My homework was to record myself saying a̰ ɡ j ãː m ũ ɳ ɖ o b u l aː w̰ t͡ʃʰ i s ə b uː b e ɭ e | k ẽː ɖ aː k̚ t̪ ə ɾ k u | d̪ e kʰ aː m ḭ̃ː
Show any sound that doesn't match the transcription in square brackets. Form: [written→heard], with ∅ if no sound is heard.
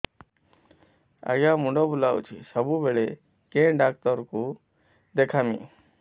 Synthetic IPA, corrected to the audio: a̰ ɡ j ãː m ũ ɳ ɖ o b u l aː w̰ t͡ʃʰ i s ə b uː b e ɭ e | k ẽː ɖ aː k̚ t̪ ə ɾ k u | d̪ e kʰ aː m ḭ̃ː